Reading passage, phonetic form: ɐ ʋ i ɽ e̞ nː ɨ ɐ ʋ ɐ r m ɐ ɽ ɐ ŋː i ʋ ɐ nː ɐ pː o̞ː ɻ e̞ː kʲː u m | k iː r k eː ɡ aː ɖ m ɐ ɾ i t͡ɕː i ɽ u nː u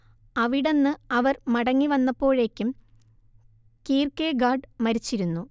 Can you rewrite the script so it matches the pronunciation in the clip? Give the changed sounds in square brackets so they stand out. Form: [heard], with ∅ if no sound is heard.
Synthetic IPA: ɐ ʋ i ɽ e̞ nː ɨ ɐ ʋ ɐ r m ɐ ɽ ɐ ŋː i ʋ ɐ nː ɐ pː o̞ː ɻ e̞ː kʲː u m | k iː r k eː ɡ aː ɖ m ɐ ɾ i t͡ɕː i [ɾ] u nː u